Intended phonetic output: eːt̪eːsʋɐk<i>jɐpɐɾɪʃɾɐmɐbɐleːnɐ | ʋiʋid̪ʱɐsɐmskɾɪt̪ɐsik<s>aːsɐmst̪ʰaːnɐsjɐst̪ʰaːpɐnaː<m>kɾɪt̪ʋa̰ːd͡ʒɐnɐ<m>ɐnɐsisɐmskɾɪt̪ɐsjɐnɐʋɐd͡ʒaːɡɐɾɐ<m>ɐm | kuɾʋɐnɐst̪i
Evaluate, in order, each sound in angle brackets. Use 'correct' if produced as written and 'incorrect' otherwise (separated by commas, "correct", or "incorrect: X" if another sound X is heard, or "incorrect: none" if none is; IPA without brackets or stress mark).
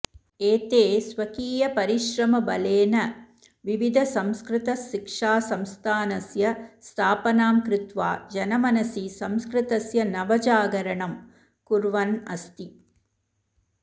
incorrect: iː, incorrect: ʂ, correct, correct, incorrect: ɳ